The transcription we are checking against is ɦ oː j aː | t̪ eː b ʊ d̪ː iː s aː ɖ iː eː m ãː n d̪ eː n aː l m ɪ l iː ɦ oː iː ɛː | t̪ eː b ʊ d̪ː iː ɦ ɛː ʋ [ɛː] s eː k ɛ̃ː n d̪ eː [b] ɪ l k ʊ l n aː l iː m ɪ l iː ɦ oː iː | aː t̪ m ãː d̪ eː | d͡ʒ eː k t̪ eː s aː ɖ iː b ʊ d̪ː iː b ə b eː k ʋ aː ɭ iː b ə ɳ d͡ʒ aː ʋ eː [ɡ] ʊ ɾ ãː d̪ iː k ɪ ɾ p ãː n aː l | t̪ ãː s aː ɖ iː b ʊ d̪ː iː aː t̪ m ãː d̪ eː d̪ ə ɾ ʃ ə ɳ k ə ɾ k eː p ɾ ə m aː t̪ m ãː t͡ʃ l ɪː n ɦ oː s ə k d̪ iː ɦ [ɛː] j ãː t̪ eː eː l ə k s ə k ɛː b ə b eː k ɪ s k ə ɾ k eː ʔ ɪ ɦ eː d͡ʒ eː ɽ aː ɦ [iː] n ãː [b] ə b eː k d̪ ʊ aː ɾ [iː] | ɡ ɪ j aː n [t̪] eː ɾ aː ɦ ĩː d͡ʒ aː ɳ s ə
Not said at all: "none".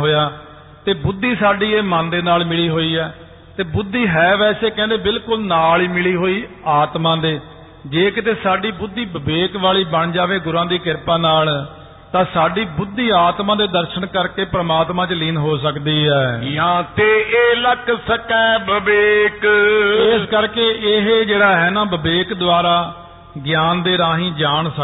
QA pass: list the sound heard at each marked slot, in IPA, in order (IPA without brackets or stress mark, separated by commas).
ɛː, b, ɡ, ɛː, ɛː, b, aː, d̪